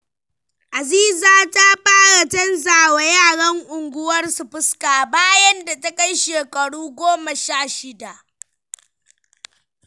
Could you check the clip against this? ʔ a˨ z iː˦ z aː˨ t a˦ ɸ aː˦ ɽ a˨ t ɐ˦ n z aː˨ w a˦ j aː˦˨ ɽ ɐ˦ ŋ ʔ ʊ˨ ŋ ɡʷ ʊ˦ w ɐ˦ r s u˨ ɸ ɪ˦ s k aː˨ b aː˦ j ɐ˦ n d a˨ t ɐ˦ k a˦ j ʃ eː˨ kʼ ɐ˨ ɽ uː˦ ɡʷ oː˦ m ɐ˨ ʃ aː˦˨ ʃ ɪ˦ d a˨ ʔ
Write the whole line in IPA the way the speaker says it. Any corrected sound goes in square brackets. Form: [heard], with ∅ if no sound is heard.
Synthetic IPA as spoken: ʔ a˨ z iː˦ z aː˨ t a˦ ɸ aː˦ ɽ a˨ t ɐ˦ n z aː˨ w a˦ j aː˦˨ ɽ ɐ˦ ŋ ʔ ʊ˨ ŋ ɡʷ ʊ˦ w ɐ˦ r s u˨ ɸ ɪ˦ s k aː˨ b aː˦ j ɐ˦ n d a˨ t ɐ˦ k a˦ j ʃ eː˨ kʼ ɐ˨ ɽ uː˦ ɡʷ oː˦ m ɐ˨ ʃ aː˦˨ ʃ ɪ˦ d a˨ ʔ